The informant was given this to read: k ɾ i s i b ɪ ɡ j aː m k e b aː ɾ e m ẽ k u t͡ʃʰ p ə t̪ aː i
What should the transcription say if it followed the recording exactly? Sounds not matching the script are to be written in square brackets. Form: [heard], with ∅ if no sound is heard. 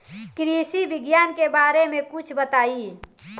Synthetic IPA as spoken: k ɾ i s i b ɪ ɡ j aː [n] k e b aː ɾ e m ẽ k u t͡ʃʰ [b] ə t̪ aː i